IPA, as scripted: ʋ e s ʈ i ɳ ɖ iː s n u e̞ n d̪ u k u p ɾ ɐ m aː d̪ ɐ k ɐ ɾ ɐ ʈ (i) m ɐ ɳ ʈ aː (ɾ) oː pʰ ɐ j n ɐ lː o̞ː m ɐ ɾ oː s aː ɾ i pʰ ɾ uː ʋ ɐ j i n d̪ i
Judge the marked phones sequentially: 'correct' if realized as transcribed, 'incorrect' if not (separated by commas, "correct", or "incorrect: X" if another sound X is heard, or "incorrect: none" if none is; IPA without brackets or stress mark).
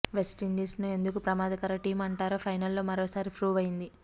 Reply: incorrect: iː, correct